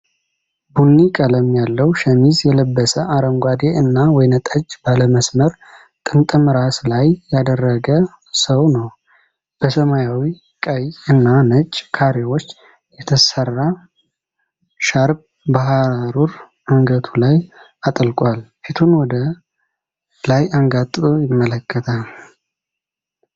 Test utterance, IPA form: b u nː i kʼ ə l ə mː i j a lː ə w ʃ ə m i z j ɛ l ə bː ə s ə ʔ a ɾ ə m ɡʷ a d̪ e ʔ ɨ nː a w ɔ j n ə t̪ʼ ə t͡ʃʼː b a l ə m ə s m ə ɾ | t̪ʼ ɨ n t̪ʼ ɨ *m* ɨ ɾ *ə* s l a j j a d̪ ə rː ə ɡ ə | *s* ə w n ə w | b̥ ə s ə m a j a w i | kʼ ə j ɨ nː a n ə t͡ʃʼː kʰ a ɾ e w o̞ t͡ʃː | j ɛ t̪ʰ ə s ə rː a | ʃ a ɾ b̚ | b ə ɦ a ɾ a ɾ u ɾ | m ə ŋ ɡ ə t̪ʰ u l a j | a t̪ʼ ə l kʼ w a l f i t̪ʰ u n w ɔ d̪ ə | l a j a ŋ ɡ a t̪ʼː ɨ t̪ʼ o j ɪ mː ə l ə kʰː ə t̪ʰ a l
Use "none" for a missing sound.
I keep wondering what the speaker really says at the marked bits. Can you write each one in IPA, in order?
m, a, s

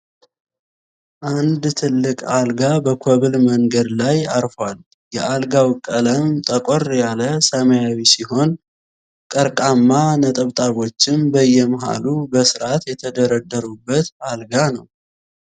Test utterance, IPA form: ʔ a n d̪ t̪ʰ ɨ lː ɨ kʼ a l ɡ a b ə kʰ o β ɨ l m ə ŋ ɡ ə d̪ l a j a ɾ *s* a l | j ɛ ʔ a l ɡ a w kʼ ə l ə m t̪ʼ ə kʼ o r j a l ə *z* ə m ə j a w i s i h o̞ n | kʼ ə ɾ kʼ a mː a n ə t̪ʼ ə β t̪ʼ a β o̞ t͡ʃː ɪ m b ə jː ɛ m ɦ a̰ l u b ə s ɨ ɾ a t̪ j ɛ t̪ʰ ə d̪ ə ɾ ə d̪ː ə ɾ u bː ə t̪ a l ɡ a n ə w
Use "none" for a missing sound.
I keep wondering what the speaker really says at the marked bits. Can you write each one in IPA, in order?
f, s

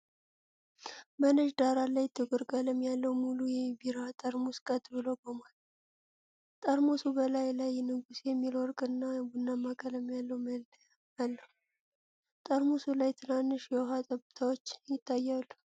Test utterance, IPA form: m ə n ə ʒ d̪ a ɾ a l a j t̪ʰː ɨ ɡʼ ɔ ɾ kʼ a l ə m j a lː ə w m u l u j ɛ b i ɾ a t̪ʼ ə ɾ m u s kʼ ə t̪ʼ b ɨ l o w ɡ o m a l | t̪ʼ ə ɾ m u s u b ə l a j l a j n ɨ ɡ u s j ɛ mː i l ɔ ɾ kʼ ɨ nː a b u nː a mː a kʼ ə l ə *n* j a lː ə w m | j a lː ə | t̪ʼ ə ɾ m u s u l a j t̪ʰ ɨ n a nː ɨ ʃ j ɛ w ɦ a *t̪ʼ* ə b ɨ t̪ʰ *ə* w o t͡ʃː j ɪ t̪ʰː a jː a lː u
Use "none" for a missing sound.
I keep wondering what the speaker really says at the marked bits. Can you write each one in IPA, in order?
m, t̪ʼ, a

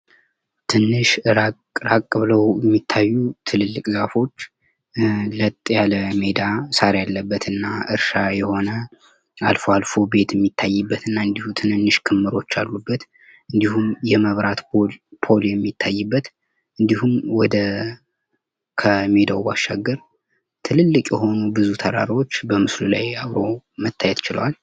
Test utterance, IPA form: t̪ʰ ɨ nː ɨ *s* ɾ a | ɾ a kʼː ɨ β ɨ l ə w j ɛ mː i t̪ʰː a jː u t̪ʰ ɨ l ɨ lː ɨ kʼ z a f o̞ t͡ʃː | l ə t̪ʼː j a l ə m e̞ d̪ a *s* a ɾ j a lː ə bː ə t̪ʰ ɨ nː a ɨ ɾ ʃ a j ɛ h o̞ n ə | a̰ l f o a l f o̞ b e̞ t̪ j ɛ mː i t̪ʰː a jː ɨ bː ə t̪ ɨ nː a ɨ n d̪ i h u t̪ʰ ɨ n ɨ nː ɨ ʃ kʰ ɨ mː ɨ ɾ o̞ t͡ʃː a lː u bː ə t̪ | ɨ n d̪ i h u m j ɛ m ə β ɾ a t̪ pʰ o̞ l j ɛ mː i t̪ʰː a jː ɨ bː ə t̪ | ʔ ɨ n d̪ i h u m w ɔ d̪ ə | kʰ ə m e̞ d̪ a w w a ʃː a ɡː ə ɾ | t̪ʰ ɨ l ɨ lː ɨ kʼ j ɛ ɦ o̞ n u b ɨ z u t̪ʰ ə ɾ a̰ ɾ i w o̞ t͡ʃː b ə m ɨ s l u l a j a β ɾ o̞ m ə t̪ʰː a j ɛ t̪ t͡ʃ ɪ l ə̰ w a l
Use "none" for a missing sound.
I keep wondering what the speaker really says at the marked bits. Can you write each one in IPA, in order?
ʃ, s

